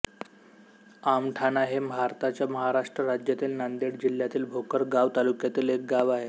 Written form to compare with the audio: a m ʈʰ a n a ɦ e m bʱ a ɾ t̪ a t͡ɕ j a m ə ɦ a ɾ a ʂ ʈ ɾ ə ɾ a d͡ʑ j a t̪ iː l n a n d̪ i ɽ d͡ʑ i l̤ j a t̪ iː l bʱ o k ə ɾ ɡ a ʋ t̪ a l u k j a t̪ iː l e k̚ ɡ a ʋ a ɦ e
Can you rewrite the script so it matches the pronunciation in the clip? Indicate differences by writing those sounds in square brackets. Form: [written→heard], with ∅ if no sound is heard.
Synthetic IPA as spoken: a m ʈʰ a n a ɦ e m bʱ a ɾ t̪ a t͡ɕ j a m ə ɦ a ɾ a ʂ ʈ ɾ ə ɾ a d͡ʑ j a t̪ iː l n a n d̪ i ɽ d͡ʑ i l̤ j a t̪ iː l bʱ o k ə ɾ ɡ a ʋ t̪ a l u k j a t̪ iː l e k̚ ɡ a ʋ a ɦ e